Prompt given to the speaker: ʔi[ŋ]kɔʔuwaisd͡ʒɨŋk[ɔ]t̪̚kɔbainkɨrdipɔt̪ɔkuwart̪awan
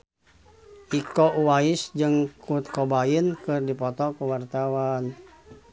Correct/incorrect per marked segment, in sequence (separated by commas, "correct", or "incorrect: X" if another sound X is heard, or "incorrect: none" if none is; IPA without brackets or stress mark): incorrect: none, incorrect: u